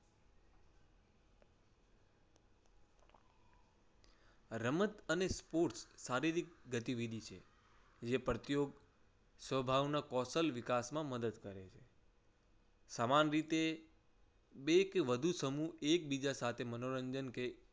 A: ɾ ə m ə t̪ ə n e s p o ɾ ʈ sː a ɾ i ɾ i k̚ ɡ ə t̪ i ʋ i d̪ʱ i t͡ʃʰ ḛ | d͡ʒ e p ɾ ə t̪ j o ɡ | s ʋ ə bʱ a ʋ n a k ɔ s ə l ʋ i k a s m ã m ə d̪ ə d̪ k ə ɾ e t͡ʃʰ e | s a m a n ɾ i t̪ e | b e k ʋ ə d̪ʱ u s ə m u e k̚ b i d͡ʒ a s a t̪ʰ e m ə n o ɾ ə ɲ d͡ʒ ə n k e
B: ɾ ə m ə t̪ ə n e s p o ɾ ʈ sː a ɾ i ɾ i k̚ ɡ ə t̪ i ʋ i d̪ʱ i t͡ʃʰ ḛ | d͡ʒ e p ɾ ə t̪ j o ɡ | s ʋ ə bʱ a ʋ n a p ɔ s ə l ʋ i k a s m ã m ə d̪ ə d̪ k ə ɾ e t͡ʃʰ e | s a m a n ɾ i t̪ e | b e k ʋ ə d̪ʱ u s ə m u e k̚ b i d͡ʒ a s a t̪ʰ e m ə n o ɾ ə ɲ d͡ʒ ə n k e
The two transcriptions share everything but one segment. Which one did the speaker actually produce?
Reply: A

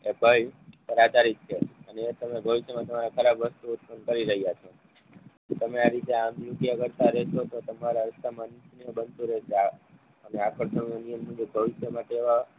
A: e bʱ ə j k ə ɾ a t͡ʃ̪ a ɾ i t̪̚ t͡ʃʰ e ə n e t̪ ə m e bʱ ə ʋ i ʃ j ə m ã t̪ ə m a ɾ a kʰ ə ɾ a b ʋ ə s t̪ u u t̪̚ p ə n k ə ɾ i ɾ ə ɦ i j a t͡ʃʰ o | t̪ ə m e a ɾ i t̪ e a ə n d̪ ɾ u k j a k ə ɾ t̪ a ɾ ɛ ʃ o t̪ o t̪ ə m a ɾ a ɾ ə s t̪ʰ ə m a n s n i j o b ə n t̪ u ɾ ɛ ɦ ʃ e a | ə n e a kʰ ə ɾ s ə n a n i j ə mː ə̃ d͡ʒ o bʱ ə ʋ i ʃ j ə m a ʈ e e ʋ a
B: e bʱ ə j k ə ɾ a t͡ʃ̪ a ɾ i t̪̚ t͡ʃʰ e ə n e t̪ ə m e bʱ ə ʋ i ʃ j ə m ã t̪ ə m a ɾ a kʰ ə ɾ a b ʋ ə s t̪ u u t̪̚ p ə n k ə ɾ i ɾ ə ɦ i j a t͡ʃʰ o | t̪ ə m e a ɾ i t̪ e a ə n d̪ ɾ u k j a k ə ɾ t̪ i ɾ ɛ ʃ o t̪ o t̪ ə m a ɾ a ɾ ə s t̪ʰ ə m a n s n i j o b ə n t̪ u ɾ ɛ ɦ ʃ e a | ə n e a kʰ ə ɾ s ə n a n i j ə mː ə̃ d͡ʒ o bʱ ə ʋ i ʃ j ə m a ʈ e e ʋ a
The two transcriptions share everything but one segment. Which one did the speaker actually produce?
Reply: A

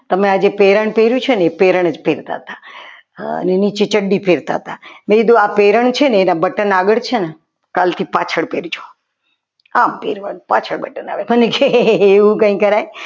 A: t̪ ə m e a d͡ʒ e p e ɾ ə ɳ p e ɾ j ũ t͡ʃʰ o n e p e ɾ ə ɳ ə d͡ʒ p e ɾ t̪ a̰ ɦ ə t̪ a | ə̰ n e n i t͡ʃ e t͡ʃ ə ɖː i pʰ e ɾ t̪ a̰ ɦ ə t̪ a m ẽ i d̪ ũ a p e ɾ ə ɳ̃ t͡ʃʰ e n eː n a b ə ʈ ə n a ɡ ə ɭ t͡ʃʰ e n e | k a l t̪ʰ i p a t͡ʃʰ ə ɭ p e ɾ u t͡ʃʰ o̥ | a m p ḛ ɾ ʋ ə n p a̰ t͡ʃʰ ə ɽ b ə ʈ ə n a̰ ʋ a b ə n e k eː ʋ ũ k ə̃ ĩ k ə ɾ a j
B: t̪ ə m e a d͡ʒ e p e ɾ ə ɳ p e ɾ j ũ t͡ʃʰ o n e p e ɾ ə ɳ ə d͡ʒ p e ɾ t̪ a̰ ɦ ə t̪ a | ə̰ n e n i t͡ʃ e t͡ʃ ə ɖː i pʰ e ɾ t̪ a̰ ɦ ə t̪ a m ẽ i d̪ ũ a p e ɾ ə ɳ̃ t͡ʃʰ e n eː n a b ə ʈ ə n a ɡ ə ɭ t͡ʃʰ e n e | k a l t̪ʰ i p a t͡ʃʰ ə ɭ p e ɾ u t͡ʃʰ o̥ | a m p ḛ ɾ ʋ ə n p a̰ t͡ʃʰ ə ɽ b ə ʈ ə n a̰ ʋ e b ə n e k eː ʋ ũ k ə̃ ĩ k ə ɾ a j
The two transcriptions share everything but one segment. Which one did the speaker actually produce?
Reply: B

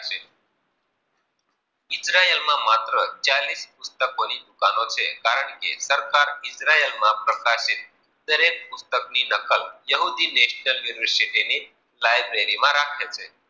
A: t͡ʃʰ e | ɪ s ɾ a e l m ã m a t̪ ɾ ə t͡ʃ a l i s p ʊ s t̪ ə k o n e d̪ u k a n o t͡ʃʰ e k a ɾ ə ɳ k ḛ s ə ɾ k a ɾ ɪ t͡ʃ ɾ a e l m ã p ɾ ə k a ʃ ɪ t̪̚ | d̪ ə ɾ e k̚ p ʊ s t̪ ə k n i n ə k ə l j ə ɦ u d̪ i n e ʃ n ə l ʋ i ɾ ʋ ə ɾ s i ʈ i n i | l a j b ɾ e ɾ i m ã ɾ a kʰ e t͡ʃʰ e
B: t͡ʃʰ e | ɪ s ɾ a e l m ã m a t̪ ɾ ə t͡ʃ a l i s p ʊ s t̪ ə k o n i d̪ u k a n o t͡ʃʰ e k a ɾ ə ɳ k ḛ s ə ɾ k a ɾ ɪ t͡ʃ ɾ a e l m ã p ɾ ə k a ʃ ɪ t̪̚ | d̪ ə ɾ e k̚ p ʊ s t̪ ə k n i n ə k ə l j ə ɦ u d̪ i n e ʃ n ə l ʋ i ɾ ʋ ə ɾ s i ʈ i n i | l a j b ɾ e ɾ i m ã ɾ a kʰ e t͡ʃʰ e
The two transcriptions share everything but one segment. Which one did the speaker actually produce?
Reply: B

